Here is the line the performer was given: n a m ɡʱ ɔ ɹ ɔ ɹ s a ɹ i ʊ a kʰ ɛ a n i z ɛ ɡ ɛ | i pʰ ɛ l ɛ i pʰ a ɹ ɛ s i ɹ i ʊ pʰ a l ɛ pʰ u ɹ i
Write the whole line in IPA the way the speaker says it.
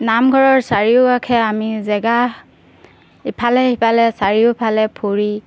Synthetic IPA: n a m ɡʱ ɔ ɹ ɔ ɹ s a ɹ i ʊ a kʰ ɛ a m i z ɛ ɡ a | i pʰ a l ɛ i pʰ a l ɛ s a ɹ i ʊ pʰ a l ɛ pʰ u ɹ i